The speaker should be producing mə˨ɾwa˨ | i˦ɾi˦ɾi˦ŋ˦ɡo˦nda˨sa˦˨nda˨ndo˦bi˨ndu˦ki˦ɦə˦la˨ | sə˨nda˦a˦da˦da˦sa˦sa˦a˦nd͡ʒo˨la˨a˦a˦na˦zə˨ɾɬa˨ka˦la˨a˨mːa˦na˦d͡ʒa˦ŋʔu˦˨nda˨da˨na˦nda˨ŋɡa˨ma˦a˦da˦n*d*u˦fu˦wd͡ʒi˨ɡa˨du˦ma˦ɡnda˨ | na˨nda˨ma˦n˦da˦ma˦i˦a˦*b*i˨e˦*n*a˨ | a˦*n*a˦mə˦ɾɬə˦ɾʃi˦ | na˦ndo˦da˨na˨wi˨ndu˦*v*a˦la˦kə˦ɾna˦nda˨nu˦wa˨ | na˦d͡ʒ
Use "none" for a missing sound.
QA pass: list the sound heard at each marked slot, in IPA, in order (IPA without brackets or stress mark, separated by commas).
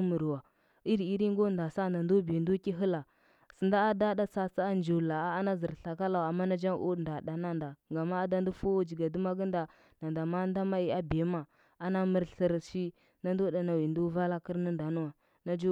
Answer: d, b, m, n, v